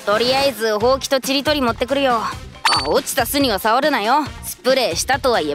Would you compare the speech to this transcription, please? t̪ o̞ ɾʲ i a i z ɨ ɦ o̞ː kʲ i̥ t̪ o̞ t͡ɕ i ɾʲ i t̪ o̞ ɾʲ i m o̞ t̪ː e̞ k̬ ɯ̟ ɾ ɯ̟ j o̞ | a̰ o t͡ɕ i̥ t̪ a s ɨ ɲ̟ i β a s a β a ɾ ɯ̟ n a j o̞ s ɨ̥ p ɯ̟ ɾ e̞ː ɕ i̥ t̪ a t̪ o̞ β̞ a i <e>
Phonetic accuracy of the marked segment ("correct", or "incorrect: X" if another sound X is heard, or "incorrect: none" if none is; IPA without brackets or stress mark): correct